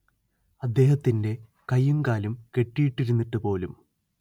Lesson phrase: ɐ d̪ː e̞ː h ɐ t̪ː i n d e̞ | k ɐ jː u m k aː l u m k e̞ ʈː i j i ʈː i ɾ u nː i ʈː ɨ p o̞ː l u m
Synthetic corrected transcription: ɐ d̪ː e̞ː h ɐ t̪ː i n d e̞ | k ɐ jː u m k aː l u m k e̞ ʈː i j i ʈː i ɾ u nː i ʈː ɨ p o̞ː l u m